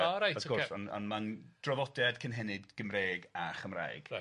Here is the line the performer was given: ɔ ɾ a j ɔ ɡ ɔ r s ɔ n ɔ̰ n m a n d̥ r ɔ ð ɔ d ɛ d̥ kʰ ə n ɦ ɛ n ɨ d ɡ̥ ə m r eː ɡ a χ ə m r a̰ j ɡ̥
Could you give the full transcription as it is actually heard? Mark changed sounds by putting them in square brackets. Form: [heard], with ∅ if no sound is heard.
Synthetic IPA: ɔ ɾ a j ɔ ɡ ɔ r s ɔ n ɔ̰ n m a n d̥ r ɔ [v] ɔ d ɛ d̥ kʰ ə n ɦ ɛ n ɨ d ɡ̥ ə m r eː ɡ a χ ə m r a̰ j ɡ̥